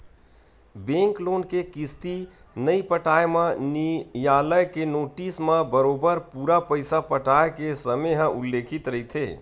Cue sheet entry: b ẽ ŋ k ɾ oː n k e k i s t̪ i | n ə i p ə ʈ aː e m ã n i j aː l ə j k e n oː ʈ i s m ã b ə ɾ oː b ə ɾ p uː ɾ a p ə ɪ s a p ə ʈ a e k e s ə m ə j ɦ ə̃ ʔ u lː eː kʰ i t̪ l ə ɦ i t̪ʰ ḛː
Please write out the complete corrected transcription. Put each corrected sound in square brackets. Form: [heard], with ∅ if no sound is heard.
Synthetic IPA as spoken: b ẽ ŋ k [l] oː n k e k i s t̪ i | n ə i p ə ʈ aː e m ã n i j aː l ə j k e n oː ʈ i s m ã b ə ɾ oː b ə ɾ p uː ɾ a p ə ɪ s a p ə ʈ a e k e s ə m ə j ɦ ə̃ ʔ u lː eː kʰ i t̪ [ɾ] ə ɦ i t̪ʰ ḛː